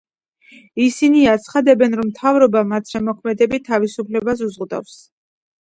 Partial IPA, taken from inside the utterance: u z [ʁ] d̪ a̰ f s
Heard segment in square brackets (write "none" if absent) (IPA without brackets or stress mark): ʁ